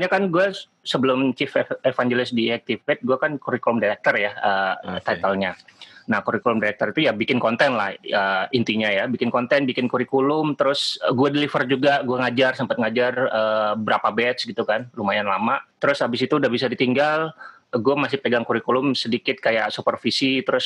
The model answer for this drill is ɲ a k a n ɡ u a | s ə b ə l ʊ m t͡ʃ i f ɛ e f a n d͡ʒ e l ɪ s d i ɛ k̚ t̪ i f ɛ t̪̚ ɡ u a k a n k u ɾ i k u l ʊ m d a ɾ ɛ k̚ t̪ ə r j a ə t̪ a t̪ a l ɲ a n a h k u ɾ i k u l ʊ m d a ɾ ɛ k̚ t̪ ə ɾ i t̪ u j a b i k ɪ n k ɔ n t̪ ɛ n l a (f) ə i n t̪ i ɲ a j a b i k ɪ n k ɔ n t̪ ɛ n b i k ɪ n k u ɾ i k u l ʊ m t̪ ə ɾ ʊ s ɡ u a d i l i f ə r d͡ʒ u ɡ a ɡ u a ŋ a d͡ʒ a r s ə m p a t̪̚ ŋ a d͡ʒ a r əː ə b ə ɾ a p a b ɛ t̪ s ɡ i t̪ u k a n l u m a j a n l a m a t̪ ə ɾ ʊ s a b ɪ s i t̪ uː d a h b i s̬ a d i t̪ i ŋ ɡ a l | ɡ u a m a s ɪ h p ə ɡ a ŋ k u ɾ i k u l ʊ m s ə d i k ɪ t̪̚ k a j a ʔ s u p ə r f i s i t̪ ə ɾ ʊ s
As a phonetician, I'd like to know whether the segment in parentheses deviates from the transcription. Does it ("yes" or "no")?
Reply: yes